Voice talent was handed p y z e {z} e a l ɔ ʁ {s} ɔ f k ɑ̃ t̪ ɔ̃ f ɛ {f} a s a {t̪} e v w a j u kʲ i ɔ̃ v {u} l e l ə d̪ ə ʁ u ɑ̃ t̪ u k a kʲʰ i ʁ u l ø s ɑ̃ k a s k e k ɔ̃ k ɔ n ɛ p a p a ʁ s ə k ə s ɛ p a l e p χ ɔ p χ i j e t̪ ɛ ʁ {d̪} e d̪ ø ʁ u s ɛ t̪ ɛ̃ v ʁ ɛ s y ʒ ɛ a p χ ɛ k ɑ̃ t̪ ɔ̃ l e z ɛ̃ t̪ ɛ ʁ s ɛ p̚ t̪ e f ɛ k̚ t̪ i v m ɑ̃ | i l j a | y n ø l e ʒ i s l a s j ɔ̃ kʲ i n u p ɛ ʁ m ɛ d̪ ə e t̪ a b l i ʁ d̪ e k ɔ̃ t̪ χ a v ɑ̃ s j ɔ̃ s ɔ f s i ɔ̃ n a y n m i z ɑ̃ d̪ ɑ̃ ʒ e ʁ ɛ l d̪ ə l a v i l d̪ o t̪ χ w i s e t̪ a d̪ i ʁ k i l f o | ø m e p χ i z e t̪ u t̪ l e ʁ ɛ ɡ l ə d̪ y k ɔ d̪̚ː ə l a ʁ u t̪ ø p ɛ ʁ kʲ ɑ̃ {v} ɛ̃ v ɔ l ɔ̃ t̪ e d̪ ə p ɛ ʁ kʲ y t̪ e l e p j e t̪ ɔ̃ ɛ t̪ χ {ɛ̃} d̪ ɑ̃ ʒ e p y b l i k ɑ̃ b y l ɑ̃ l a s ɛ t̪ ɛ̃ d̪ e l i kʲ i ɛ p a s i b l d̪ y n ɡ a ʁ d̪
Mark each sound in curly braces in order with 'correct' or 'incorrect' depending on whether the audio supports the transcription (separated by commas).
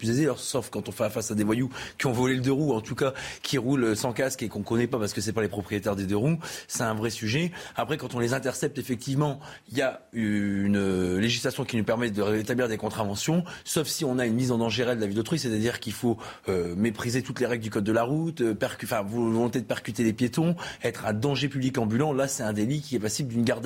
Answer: correct, correct, correct, incorrect, incorrect, correct, incorrect, correct